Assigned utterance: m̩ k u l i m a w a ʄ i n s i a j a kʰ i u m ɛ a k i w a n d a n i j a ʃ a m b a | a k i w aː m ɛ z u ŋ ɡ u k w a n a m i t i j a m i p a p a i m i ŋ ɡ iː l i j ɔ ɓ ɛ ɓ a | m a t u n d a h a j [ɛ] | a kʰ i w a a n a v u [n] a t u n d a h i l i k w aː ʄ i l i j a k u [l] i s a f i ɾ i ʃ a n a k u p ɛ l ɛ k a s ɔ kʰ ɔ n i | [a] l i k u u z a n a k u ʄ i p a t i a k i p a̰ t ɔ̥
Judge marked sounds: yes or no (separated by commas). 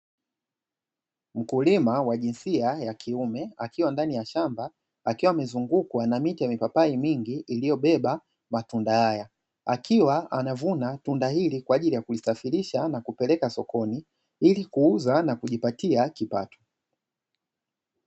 no, yes, yes, no